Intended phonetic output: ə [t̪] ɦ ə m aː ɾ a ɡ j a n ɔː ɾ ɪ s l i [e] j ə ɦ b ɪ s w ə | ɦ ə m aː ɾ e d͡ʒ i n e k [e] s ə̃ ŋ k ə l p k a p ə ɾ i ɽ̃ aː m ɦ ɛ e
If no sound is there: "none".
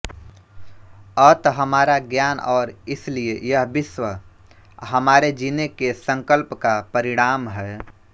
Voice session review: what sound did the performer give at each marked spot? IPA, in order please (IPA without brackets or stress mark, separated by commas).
t̪, e, e